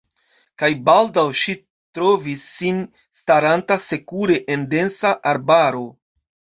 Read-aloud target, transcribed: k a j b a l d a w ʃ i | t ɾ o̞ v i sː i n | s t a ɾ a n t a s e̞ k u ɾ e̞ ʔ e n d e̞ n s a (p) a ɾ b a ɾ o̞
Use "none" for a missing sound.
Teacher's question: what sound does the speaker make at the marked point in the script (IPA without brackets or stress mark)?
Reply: ʔ